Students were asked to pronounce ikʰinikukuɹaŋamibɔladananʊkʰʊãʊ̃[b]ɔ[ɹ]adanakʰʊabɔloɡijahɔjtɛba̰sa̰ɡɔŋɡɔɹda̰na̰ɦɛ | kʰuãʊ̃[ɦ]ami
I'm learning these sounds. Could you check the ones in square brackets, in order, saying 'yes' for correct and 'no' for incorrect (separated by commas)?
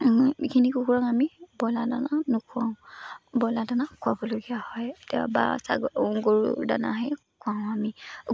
yes, no, no